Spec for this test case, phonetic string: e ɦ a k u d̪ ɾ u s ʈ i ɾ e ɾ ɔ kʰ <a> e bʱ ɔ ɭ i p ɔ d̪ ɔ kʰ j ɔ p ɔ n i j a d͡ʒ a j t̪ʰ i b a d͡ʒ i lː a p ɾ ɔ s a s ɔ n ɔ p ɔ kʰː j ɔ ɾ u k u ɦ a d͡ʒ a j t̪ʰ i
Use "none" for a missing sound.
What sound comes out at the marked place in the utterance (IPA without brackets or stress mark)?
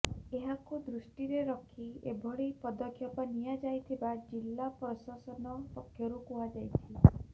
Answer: i